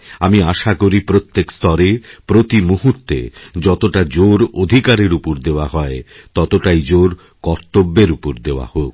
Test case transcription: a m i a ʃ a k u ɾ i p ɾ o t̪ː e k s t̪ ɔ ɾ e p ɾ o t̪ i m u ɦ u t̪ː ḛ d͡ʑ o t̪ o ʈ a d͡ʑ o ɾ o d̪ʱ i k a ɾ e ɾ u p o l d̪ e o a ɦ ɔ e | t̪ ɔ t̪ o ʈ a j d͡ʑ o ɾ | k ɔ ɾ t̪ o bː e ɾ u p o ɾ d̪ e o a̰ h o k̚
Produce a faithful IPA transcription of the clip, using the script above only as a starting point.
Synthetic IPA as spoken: a m i a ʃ a k o ɾ i p ɾ o t̪ː e k s t̪ ɔ ɾ e p ɾ o t̪ i m u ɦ u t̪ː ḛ d͡ʑ ɔ t̪ o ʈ a d͡ʑ o ɾ o d̪ʱ i k a ɾ e ɾ u p o ɾ d̪ e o a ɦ ɔ e | t̪ ɔ t̪ o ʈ a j d͡ʑ o ɾ | k ɔ ɾ t̪ o bː e ɾ u p o ɾ d̪ e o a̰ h o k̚